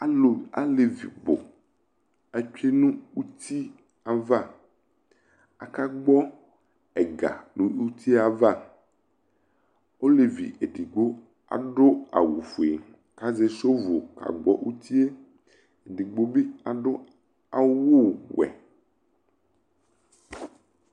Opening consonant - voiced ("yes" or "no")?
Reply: yes